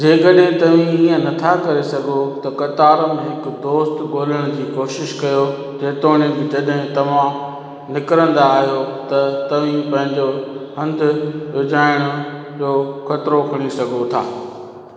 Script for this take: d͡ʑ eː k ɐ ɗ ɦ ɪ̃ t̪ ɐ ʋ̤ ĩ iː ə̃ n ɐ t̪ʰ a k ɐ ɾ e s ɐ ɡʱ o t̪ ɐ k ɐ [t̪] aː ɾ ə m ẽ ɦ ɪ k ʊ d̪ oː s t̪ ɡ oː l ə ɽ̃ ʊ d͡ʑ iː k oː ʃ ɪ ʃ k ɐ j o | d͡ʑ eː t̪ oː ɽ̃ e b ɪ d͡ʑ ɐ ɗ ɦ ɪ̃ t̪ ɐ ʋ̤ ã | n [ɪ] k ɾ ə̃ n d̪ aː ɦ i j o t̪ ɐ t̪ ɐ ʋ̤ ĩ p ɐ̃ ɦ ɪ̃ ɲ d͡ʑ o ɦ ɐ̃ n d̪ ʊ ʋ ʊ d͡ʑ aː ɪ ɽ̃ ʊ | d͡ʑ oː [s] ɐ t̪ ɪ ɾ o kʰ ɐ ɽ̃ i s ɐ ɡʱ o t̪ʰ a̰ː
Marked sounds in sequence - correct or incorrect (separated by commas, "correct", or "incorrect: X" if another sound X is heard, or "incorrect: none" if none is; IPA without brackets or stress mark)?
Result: correct, correct, incorrect: x